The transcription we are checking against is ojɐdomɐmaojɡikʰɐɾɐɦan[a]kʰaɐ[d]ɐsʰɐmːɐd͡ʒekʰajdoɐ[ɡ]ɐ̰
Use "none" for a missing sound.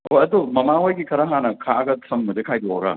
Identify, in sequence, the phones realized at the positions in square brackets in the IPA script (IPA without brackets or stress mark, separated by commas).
ɐ, ɡ, ɡ